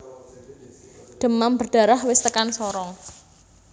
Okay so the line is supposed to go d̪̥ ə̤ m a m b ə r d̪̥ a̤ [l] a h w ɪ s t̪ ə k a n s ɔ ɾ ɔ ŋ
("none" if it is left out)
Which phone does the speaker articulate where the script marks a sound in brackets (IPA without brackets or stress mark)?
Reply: ɾ